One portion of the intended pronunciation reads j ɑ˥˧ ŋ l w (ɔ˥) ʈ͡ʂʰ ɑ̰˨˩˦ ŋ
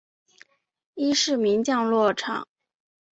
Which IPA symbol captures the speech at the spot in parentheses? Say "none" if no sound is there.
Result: ɔ˥˩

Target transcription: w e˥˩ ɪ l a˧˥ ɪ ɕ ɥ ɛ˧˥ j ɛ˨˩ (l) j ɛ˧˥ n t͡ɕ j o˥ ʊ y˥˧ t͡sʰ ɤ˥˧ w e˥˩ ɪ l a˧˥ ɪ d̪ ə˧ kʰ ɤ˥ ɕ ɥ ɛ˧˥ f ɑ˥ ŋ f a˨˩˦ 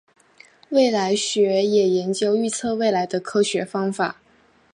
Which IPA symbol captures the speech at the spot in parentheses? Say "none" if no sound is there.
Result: none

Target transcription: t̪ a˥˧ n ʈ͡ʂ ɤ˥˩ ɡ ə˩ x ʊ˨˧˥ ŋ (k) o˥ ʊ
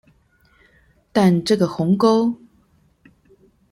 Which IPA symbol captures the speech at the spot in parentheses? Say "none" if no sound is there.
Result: k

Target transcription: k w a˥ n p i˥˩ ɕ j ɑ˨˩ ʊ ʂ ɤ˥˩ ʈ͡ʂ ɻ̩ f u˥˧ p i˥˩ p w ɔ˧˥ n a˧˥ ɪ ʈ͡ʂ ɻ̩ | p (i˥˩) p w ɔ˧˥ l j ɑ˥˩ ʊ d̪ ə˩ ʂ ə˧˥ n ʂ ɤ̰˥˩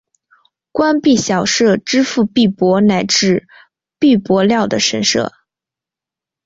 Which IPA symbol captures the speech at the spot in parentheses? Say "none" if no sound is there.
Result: i˥˩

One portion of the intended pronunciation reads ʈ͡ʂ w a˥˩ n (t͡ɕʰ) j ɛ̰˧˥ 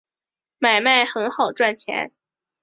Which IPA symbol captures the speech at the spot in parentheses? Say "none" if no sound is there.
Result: t͡ɕʰ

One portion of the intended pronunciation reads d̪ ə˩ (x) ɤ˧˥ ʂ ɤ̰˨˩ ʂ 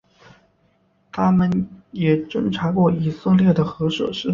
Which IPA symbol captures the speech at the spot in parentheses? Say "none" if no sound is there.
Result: x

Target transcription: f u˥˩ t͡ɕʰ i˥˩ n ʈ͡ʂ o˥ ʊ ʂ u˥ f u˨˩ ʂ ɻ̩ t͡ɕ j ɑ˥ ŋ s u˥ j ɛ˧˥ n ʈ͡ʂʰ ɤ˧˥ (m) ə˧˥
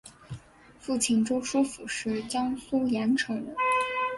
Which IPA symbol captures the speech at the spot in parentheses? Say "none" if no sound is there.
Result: ŋ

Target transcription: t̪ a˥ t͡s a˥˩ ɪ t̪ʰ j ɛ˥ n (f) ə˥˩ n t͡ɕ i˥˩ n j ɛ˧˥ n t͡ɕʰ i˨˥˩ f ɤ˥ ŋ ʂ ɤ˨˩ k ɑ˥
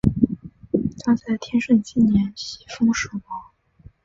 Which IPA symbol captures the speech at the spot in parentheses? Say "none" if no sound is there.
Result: ʂ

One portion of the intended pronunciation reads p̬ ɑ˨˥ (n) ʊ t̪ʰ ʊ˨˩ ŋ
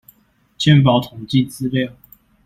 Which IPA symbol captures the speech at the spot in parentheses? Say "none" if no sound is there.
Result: none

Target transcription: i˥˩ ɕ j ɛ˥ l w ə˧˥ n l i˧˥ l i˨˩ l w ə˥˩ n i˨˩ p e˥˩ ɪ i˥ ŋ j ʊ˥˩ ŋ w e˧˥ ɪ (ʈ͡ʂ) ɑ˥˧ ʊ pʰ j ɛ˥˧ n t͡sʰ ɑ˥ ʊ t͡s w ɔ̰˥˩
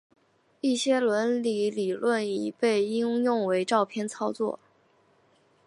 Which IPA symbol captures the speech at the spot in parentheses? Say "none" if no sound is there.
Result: ʈ͡ʂ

